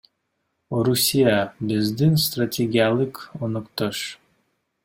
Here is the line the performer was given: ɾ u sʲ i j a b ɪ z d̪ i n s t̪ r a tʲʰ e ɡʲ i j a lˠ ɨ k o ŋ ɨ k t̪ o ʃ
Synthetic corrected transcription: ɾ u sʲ i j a b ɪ z d̪ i n s t̪ r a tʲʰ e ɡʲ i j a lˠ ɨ k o n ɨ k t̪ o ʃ

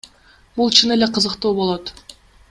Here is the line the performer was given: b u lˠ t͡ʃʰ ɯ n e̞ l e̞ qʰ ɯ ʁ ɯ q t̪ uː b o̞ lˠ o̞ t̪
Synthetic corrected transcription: b u lˠ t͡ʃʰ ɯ n e̞ l e̞ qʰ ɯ z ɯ q t̪ uː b o̞ lˠ o̞ t̪

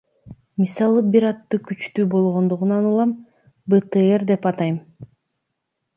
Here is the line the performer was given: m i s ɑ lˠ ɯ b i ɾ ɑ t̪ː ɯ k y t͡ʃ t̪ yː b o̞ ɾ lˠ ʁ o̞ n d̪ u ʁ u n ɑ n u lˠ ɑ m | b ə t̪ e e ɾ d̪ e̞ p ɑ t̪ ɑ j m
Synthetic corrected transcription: m i s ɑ lˠ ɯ b i ɾ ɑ t̪ː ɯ k y t͡ʃ t̪ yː b o̞ lˠ ʁ o̞ n d̪ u ʁ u n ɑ n u lˠ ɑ m | b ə t̪ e e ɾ d̪ e̞ p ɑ t̪ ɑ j m

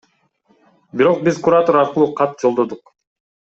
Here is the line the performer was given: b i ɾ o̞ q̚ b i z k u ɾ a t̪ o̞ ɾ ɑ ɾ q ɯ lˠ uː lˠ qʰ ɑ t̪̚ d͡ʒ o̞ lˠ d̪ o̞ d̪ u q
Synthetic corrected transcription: b i ɾ o̞ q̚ b i z k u ɾ a t̪ o̞ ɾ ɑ ɾ q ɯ lˠ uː qʰ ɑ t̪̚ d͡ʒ o̞ lˠ d̪ o̞ d̪ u q

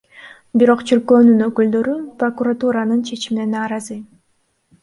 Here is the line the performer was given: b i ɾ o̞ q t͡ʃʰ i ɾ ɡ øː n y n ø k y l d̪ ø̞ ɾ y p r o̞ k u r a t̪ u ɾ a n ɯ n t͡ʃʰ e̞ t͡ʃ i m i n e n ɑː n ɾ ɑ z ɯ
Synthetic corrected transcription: b i ɾ o̞ q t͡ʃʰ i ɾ k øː n y n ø k y l d̪ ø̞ ɾ y p r o̞ k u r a t̪ u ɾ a n ɯ n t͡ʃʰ e̞ t͡ʃ i m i n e n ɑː ɾ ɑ z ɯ

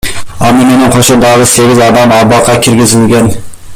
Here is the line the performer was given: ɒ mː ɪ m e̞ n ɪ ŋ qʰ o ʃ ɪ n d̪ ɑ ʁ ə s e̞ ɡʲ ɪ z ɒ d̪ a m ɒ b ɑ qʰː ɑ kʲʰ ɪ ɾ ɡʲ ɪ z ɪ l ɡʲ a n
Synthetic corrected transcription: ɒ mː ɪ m e̞ n ɪ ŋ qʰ o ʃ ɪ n d̪ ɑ ʁ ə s e̞ ɡʲ ɪ z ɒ d̪ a m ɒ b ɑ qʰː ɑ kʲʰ ɪ ɾ ɡʲ ɪ z ɪ l ɡʲ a n

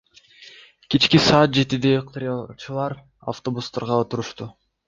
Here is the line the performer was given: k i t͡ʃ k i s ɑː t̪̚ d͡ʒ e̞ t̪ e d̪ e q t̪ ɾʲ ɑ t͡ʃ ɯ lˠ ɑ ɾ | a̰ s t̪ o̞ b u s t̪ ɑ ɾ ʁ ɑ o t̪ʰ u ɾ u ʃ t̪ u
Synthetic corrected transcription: k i t͡ʃ k i s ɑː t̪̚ d͡ʒ e̞ t̪ i d̪ e q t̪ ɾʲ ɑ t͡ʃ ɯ lˠ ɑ ɾ | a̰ f t̪ o̞ b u s t̪ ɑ ɾ ʁ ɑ o t̪ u ɾ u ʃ t̪ u

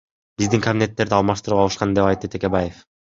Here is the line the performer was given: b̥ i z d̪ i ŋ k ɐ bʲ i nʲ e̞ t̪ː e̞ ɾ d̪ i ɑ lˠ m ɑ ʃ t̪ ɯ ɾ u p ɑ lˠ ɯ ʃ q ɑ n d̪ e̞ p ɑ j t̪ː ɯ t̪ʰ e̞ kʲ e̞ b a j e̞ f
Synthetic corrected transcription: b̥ i z d̪ i ŋ k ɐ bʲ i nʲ e̞ t̪ː e̞ ɾ d̪ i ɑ lˠ m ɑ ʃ t̪ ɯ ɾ u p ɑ lˠ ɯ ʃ q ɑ n d̪ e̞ p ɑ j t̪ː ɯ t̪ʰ e̞ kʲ e̞ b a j e̞ f

